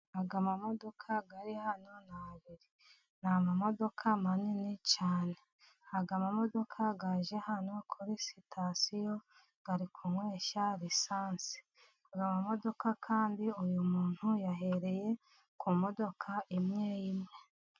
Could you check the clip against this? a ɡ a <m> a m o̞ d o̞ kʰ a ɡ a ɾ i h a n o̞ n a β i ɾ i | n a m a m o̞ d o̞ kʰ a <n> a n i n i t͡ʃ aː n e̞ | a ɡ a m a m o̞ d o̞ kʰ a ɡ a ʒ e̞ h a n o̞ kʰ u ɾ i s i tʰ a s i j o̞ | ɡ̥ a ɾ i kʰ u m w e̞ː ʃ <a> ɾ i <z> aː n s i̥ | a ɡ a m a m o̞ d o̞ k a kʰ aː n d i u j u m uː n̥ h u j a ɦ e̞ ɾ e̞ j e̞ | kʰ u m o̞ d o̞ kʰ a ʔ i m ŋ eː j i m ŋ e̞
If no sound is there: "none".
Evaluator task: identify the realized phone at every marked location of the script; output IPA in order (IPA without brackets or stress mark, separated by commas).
m, m, a, s